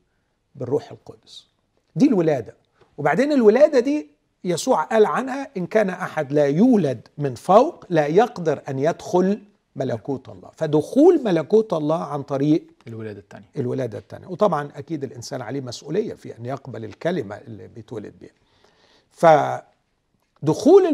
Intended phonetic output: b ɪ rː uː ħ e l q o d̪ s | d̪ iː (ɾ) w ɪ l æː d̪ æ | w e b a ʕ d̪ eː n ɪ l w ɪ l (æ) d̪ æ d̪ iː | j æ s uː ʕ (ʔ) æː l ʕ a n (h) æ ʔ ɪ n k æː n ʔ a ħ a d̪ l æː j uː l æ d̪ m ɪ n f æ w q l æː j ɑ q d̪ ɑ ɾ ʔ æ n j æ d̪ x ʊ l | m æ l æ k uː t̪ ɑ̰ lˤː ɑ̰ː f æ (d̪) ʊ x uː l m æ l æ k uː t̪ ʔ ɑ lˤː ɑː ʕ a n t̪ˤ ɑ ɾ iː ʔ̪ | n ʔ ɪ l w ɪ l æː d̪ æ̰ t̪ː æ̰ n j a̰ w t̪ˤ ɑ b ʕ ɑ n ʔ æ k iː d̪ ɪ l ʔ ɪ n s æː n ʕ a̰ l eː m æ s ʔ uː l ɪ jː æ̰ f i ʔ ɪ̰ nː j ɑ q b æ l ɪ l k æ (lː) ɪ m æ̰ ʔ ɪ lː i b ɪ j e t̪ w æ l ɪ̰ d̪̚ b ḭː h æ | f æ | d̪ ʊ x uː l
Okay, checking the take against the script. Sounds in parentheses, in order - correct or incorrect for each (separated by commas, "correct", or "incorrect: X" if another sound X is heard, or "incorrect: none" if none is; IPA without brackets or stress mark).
incorrect: l, incorrect: æː, correct, correct, correct, incorrect: l